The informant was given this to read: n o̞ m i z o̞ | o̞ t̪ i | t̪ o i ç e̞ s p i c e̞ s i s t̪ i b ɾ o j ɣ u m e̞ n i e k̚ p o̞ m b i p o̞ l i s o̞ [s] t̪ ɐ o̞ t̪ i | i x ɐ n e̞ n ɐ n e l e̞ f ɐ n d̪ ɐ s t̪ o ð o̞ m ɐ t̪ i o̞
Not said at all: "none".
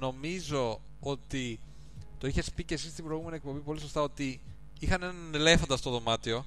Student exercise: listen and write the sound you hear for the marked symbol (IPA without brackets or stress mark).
s